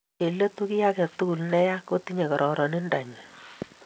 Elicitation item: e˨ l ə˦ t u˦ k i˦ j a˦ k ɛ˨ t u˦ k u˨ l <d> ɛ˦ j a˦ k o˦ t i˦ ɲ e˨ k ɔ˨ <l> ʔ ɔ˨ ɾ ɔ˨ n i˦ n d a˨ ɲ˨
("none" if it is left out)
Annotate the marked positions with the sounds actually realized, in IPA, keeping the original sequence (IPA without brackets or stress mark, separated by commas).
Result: n, ɾ